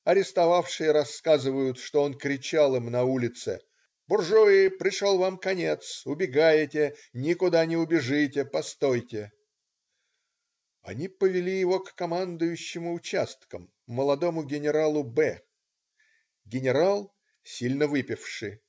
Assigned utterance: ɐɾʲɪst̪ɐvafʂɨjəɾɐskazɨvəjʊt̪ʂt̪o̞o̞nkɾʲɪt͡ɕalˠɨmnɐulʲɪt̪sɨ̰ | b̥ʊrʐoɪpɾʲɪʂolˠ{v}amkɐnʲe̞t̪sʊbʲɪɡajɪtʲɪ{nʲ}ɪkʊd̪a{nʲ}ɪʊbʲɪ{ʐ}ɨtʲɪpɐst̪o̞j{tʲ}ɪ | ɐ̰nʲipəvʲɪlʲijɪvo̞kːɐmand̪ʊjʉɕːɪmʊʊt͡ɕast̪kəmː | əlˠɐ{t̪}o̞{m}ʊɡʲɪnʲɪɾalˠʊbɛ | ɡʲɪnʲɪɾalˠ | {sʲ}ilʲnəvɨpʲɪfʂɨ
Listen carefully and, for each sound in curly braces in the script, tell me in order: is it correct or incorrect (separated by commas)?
correct, correct, correct, correct, correct, incorrect, correct, correct